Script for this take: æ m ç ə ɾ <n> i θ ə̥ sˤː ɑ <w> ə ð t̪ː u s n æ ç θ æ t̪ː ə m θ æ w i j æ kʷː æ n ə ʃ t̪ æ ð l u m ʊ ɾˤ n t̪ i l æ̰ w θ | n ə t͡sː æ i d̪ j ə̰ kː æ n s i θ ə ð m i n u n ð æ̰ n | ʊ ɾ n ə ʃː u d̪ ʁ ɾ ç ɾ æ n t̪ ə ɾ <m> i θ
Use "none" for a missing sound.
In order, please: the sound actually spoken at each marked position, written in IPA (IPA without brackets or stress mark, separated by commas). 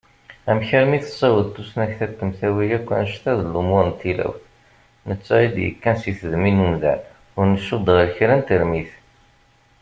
m, w, m